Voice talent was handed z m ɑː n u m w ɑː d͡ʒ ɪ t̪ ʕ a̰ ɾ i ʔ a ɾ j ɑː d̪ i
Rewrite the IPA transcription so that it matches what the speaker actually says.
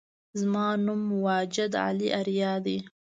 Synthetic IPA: z m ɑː n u m w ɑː d͡ʒ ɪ d̪ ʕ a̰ l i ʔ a ɾ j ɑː d̪ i